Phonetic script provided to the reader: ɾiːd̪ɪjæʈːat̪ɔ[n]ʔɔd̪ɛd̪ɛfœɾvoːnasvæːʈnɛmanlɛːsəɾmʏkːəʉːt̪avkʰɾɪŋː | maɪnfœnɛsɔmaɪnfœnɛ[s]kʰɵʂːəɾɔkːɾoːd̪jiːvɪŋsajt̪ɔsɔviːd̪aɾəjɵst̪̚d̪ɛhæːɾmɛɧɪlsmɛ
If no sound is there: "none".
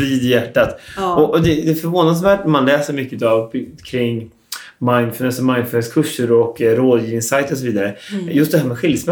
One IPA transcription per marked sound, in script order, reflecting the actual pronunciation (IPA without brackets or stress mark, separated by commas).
none, s